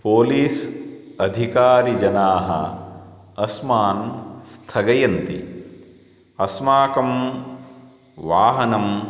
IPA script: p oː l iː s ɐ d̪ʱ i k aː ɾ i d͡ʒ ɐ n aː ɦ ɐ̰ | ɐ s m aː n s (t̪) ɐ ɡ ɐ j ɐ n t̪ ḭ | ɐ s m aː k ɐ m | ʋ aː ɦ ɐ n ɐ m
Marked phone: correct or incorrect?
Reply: incorrect: t̪ʰ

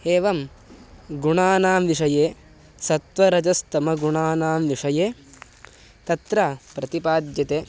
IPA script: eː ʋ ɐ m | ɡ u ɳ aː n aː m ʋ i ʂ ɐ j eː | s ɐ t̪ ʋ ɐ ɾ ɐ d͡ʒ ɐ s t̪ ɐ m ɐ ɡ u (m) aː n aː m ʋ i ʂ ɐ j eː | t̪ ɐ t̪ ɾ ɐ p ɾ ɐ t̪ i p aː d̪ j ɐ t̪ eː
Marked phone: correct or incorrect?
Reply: incorrect: ɳ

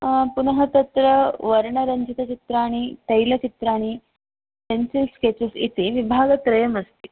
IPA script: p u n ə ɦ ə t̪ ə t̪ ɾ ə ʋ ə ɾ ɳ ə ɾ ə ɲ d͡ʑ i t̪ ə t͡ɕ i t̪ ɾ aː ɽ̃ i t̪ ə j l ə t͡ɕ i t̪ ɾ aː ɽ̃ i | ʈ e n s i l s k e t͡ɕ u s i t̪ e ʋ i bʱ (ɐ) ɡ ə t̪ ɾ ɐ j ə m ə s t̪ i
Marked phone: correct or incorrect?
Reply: incorrect: a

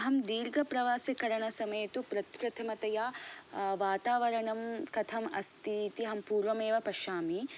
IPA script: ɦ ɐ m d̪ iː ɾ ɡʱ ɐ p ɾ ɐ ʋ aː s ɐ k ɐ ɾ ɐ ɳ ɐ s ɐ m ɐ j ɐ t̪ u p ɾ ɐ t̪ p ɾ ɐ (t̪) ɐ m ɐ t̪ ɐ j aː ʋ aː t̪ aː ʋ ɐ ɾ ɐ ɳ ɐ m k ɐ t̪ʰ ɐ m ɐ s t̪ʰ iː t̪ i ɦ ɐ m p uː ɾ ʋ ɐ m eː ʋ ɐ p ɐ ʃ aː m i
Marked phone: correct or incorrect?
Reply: incorrect: t̪ʰ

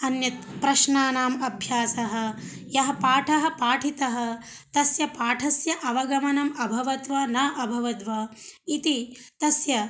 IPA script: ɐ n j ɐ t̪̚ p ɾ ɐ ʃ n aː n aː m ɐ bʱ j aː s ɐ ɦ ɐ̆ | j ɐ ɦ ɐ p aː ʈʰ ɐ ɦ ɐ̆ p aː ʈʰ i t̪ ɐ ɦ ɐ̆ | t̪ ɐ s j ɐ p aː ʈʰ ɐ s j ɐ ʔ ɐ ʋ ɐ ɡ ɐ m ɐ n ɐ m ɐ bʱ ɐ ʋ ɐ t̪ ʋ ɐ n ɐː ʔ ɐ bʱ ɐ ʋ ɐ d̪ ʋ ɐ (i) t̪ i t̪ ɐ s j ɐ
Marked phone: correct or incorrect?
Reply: correct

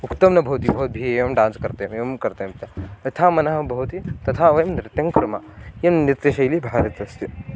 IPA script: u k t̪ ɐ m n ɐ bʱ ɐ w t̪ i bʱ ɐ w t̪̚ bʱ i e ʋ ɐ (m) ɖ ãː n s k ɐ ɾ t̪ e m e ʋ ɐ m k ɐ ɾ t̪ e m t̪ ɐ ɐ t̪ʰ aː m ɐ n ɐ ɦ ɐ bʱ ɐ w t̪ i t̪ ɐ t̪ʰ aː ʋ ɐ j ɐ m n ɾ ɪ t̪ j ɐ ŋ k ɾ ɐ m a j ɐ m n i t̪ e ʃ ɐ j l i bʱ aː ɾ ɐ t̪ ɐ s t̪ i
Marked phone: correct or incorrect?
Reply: correct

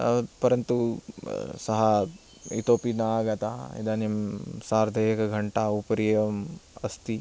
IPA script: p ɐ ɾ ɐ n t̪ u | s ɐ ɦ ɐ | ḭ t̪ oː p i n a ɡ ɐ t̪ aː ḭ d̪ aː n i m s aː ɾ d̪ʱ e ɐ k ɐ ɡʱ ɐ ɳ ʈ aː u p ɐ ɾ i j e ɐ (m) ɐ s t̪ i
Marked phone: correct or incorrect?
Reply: correct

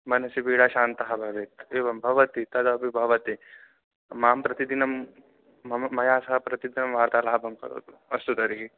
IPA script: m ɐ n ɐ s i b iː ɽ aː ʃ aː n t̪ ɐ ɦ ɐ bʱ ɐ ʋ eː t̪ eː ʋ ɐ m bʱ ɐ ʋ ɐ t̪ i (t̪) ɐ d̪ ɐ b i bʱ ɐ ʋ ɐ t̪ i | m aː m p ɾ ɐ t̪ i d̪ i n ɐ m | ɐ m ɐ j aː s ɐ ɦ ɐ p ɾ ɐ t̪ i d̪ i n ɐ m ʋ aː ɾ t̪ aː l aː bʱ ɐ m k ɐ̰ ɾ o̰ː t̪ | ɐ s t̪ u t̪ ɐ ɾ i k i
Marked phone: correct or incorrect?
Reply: correct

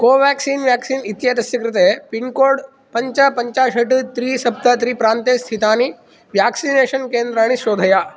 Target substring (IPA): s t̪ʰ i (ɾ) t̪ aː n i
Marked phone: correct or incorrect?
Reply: incorrect: none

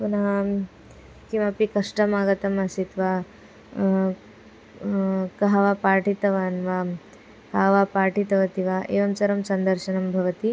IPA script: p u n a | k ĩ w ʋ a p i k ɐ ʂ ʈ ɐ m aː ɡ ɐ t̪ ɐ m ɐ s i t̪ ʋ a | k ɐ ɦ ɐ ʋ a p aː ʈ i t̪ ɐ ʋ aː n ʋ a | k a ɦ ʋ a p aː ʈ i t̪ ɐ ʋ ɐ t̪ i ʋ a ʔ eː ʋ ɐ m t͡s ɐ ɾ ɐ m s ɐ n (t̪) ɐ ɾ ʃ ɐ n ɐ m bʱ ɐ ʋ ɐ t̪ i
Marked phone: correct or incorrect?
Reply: incorrect: d̪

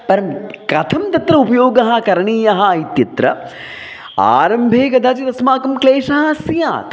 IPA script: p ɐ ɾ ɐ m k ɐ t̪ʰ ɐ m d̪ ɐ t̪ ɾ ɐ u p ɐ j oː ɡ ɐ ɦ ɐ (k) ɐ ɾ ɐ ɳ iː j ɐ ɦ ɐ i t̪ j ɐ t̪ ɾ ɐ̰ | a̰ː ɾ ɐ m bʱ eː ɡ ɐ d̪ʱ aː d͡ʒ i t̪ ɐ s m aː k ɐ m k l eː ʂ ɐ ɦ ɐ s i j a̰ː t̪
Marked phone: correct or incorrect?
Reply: correct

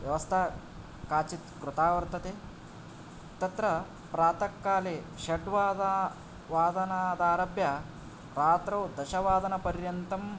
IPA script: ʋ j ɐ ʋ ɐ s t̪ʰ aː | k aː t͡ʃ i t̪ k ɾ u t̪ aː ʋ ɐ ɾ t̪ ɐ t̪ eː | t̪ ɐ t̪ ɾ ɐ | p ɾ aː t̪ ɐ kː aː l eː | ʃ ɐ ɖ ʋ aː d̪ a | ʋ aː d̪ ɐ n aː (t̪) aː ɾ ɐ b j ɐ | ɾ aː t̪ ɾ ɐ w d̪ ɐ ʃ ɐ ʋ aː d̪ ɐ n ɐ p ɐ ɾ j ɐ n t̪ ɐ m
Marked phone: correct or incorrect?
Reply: incorrect: d̪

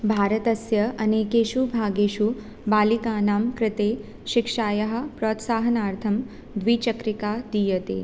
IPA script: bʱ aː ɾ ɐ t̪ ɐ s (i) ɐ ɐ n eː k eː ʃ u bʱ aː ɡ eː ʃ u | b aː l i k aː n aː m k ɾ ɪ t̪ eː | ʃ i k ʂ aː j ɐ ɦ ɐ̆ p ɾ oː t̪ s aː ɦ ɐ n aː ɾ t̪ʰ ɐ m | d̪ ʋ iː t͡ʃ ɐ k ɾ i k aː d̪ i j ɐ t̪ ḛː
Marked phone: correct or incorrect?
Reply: incorrect: j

